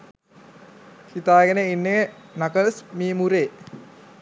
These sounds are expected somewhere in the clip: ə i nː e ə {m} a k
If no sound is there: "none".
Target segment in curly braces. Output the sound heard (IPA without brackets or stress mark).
n